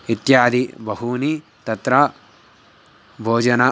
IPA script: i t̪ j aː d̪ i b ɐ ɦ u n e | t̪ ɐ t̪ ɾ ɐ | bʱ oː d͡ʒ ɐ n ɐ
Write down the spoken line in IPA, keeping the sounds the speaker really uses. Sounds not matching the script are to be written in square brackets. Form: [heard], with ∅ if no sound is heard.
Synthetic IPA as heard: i t̪ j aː d̪ i b ɐ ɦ u n [i] | t̪ ɐ t̪ ɾ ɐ | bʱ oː d͡ʒ ɐ n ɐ